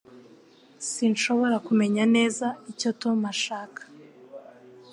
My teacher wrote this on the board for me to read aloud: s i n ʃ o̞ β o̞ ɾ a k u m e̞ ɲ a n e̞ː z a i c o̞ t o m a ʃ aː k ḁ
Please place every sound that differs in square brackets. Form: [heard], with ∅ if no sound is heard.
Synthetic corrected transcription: s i n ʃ o̞ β o̞ ɾ a k u m e̞ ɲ a n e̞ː z a i c o̞ t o m a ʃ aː k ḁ